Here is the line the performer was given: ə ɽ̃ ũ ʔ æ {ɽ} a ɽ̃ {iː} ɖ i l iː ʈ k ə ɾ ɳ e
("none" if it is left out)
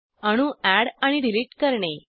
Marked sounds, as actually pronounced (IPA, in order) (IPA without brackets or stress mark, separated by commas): ɽ, i